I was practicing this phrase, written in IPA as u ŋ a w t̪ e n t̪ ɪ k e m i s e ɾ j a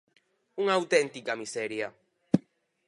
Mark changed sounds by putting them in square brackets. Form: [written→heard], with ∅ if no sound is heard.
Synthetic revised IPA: u ŋ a w t̪ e n t̪ [ɪ→i] k [e→a] m i s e ɾ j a